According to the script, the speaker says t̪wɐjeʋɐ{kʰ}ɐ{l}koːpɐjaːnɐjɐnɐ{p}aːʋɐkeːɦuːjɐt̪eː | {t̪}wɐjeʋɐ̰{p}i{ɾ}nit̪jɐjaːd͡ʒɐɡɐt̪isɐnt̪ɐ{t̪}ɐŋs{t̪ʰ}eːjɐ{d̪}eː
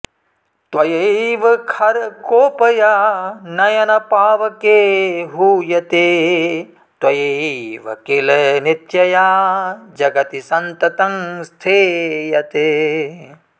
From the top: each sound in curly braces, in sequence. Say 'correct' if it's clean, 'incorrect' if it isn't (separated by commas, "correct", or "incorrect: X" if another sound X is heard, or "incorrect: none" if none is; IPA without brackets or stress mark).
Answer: correct, incorrect: ɾ, correct, correct, incorrect: k, incorrect: l, correct, correct, incorrect: t̪